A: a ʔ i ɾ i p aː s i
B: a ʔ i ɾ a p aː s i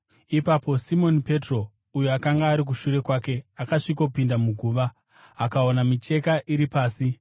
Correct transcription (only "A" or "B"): A